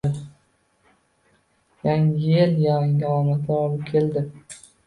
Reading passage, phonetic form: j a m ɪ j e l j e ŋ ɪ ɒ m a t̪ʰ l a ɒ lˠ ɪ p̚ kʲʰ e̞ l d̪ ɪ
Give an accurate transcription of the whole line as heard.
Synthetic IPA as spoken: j a ŋ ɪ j e l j a ŋ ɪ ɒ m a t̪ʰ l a ɒ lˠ ɪ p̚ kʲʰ e̞ l d̪ ɪ